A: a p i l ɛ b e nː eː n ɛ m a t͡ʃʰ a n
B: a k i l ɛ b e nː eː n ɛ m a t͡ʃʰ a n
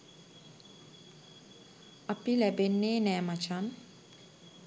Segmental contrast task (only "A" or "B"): A